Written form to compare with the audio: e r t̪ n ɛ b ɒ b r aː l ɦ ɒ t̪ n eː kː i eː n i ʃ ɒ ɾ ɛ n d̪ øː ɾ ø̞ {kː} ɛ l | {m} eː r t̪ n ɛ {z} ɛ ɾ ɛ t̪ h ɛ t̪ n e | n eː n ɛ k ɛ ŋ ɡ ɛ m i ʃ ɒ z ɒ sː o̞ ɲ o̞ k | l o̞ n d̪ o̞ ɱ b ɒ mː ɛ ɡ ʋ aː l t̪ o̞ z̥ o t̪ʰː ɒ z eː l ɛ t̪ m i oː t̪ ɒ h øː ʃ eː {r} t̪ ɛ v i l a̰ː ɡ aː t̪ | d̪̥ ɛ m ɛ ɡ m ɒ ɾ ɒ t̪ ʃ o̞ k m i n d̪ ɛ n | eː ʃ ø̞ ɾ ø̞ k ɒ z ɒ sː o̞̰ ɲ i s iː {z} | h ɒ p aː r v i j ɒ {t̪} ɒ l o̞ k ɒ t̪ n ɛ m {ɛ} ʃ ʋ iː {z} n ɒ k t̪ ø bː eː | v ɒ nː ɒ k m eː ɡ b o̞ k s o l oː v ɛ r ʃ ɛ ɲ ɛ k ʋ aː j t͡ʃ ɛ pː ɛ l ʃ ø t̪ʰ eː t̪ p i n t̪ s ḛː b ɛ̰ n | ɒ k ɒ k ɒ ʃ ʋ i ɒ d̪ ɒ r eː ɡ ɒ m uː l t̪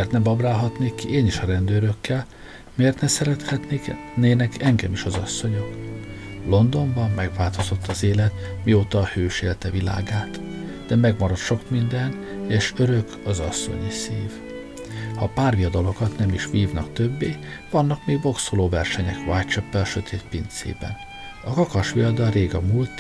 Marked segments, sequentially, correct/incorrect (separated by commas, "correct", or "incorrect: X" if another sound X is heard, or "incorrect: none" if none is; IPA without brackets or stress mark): correct, correct, incorrect: s, incorrect: l, incorrect: v, incorrect: d̪, incorrect: i, incorrect: v